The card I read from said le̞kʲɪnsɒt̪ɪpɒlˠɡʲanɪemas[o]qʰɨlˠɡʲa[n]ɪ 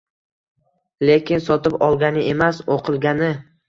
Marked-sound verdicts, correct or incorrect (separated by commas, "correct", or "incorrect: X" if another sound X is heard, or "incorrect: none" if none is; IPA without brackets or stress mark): correct, correct